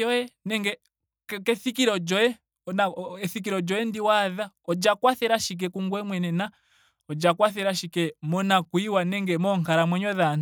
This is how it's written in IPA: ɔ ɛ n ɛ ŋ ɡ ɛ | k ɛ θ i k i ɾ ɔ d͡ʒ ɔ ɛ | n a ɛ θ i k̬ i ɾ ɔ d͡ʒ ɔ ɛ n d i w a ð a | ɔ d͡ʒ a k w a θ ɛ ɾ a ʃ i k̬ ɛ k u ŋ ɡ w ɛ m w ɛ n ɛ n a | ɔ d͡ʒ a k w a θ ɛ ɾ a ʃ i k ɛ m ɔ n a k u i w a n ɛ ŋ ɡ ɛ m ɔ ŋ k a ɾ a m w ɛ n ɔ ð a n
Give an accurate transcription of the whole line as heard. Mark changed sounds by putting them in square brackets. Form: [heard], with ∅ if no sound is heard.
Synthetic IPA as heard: ɔ ɛ n ɛ ŋ ɡ ɛ | k ɛ θ i k i ɾ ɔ d͡ʒ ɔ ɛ | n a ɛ θ i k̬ i ɾ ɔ d͡ʒ ɔ ɛ n d i w a ð a | ɔ d͡ʒ a k w a θ ɛ ɾ a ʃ i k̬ ɛ k u ŋ ɡ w ɛ m w ɛ n ɛ n a | ɔ d͡ʒ a k w a θ ɛ ɾ a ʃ i k ɛ m ɔ n a k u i w a n ɛ ŋ ɡ ɛ m ɔ ŋ k a ɾ a m w ɛ [ɲ] ɔ ð a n

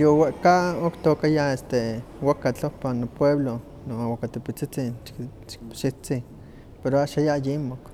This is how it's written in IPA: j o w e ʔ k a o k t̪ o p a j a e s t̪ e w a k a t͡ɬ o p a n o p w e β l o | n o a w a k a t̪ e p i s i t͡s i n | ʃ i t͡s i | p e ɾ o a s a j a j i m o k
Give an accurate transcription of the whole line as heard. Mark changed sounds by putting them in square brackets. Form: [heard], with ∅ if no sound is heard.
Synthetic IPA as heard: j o w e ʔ k a o k t̪ o [k] a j a e s t̪ e w a k a t͡ɬ o p a n o p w e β l o | n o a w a k a t̪ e p i [t͡s] i t͡s i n | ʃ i t͡s i | p e ɾ o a [ʃ] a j a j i m o k

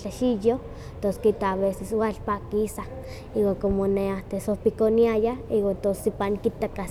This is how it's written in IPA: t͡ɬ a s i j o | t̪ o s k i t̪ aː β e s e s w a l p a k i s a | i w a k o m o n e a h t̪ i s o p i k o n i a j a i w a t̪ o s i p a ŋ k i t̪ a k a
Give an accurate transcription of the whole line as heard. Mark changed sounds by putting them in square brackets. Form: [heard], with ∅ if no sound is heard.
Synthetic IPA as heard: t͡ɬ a [ʃ] i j o | t̪ o s k i t̪ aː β e s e s w a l p a k i s a | i w a k o m o n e a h t̪ [e] s o p i k o n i a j a i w a t̪ o s i p a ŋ k i t̪ a k a

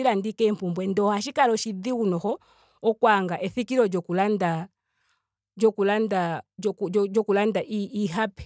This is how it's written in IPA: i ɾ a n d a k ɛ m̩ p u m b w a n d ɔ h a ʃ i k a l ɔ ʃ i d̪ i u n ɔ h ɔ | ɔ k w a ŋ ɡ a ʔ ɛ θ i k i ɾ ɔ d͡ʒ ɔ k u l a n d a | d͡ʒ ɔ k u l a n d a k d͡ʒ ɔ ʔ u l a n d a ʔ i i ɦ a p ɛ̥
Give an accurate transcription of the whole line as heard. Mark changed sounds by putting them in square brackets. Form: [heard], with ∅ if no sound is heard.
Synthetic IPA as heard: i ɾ a n d [i] k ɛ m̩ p u m b w [ɛ] n d ɔ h a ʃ i k a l ɔ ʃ i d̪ i u n ɔ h ɔ | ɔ k w a ŋ ɡ a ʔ ɛ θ i k i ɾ ɔ d͡ʒ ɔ k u l a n d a | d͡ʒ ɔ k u l a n d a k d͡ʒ ɔ [k] u l a n d a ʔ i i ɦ a p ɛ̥

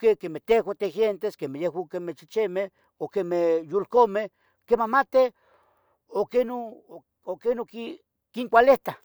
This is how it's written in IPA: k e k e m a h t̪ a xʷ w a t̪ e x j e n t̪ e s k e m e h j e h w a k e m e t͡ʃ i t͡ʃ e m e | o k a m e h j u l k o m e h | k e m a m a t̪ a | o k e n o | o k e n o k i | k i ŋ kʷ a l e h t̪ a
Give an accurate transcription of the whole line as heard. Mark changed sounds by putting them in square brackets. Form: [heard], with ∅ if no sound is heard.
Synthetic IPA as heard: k e k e m [e] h t̪ [e] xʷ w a t̪ e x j e n t̪ e s k e m e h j e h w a k e m e t͡ʃ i t͡ʃ e m e | o k [e] m e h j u l k o m e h | k e m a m a t̪ [e] | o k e n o | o k e n o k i | k i ŋ kʷ a l e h t̪ a

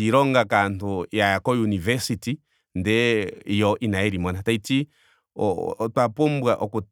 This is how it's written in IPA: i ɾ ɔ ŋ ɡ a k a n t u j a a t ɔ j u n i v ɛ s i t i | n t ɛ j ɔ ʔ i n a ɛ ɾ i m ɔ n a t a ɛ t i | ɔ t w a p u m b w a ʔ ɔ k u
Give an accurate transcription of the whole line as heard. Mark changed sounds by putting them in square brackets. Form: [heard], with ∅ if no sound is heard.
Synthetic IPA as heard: i ɾ ɔ ŋ ɡ a k a n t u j a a [k] ɔ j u n i v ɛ s i t i | n [d] ɛ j ɔ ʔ i n a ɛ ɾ i m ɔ n a t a [i] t i | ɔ t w a p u m b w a ʔ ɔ k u

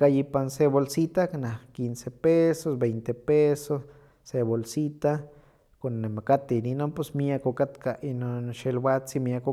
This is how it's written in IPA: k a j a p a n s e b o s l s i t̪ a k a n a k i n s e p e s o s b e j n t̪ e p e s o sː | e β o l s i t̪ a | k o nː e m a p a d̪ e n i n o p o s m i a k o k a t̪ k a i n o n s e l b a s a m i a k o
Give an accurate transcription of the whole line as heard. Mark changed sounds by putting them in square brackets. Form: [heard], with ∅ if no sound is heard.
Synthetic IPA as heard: k a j [i] p a n s e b o [∅] l s i t̪ a k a n a k i n s e p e s o s b e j n t̪ e p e s o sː | e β o l s i t̪ a | k o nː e m a [k] a [t̪] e n i n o p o s m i a k o k a t̪ k a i n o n [ʃ] e l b a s [i] m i a k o

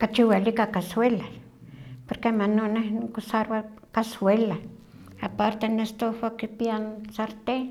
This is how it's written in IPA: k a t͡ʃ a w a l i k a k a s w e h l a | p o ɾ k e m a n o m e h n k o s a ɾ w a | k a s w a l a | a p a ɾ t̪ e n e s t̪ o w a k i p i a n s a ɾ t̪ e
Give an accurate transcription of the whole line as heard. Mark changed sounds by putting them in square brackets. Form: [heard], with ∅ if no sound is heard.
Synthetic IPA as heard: k a t͡ʃ [i] w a l i k a k a s w e [∅] l a | p o ɾ k e m a n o [n] e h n k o s a ɾ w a | k a s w [e] l a | a p a ɾ t̪ e n e s t̪ o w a k i p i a n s a ɾ t̪ e

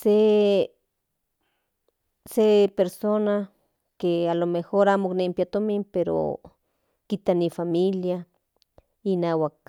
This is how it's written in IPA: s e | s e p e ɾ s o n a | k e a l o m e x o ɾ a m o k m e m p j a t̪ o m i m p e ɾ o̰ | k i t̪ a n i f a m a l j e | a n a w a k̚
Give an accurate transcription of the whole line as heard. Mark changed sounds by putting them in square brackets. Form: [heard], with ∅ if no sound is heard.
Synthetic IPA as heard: s e | s e p e ɾ s o n a | k e a l o m e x o ɾ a m o k [n] e m p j a t̪ o m i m p e ɾ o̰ | k i t̪ a n i f a m [i] l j [a] | [i] n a w a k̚

